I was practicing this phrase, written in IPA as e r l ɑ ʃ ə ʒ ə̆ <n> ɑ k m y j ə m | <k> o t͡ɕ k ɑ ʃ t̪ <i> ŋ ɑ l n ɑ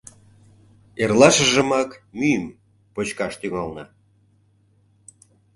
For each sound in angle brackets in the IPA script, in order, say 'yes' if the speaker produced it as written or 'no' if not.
no, no, no

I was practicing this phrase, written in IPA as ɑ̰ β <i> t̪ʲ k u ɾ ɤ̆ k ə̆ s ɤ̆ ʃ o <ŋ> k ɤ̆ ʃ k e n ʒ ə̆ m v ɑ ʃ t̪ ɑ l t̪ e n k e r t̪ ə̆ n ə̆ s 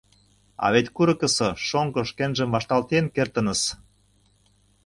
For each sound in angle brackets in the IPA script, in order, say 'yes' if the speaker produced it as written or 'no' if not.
no, yes

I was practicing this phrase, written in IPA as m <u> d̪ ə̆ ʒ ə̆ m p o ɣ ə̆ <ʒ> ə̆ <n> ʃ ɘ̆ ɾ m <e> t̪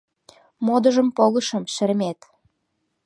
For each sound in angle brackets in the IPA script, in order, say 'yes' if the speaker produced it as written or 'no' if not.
no, no, no, yes

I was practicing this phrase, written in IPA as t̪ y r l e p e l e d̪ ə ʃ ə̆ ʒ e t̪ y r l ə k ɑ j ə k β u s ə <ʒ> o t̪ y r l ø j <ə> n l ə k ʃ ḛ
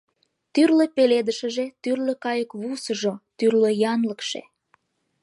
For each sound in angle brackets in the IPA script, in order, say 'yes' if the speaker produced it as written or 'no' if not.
yes, no

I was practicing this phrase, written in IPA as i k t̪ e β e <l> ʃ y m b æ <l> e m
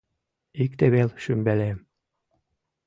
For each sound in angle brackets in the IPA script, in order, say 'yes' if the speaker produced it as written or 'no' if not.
yes, yes

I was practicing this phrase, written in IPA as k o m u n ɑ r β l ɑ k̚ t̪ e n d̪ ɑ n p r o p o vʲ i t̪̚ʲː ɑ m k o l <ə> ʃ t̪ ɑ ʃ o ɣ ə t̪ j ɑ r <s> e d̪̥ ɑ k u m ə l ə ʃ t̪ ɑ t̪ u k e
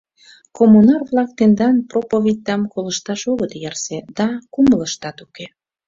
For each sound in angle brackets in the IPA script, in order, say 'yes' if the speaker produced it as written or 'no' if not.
yes, yes

